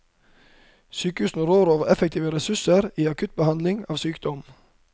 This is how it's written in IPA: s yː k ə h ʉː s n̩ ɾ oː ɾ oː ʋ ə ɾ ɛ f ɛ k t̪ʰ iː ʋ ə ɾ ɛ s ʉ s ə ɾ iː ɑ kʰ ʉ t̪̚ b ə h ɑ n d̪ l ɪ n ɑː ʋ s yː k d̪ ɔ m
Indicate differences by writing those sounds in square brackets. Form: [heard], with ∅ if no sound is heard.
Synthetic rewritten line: s yː k ə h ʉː s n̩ ɾ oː ɾ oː ʋ ə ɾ ɛ f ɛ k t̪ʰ iː ʋ ə ɾ ɛ s ʉ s ə ɾ iː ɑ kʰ ʉ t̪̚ b ə h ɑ n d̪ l ɪ [ŋ] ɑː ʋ s yː k d̪ ɔ m